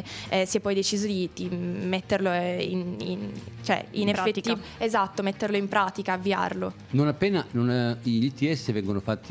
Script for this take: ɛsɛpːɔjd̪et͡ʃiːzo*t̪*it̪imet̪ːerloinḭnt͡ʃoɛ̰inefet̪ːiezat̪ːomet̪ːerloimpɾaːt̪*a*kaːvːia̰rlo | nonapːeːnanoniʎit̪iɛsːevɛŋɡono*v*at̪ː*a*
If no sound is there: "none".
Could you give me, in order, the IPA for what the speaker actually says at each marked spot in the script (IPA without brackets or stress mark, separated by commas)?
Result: d̪, i, f, i